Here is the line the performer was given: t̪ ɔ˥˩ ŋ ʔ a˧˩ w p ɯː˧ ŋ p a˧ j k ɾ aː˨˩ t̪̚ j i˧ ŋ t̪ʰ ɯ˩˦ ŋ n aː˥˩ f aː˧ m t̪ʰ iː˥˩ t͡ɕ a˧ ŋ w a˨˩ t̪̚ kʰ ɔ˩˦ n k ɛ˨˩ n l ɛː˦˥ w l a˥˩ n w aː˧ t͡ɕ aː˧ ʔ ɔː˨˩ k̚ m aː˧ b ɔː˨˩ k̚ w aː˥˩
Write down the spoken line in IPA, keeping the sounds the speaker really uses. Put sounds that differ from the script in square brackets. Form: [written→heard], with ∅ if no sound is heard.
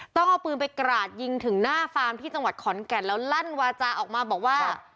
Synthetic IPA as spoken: t̪ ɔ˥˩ ŋ ʔ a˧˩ w p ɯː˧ [ŋ→n] p a˧ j k ɾ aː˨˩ t̪̚ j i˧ ŋ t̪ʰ ɯ˩˦ ŋ n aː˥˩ f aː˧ m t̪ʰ iː˥˩ t͡ɕ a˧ ŋ w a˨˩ t̪̚ kʰ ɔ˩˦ n k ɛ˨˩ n l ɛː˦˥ w l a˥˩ n w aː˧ t͡ɕ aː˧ ʔ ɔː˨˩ k̚ m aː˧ b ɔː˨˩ k̚ w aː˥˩